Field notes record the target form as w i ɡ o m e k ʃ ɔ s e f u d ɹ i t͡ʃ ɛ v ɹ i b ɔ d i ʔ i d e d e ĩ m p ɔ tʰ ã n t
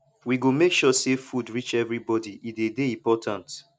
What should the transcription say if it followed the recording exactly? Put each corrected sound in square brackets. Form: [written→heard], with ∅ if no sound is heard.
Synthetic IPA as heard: w i ɡ o m e k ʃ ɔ s e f u d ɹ i t͡ʃ ɛ v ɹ i b ɔ d i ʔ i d e d e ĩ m p ɔ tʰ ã n t